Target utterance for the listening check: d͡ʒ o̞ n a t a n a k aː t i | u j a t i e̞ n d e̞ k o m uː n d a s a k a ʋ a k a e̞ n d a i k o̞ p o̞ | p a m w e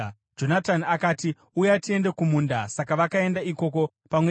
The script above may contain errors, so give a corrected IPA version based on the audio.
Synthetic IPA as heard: d͡ʒ o̞ n a t a n a k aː t i | u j a t i e̞ n d e̞ k u m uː n d a s a k a ʋ a k a e̞ n d a i k o̞ k o̞ | p a m w e